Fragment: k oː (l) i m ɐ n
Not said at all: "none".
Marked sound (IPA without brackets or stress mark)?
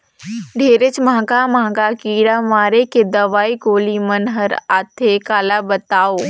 l